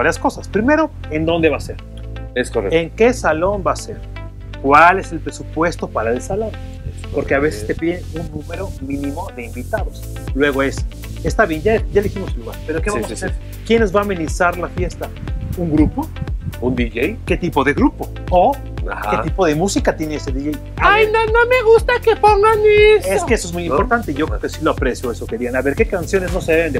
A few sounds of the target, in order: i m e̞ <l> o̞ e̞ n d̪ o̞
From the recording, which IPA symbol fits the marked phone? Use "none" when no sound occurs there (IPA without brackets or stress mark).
ɾ